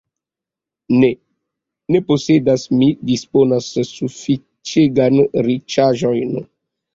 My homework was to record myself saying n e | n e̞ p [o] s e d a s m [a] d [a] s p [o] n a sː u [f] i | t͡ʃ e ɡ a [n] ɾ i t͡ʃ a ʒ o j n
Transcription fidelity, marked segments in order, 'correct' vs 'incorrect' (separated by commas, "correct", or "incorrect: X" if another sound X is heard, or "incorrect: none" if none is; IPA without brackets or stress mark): correct, incorrect: i, incorrect: i, correct, correct, correct